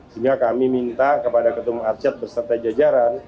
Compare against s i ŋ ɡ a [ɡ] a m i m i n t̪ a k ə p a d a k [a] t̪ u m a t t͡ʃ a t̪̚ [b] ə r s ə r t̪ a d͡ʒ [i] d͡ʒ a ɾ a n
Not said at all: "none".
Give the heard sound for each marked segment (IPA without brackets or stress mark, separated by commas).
k, ə, b, a